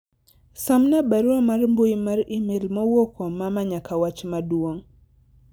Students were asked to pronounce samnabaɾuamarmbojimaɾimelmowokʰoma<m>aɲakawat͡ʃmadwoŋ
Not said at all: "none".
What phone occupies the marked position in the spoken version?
m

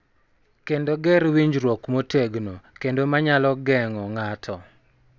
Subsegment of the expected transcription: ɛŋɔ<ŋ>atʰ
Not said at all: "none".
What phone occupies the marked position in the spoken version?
ŋ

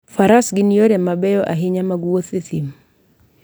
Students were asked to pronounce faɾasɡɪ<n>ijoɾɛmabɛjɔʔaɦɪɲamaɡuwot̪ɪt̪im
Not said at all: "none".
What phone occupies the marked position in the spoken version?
n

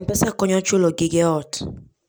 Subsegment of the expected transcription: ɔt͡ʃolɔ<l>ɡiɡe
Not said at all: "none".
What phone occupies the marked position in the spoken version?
none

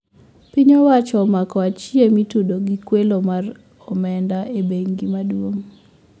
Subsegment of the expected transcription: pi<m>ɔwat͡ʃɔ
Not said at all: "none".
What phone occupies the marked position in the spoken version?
ɲ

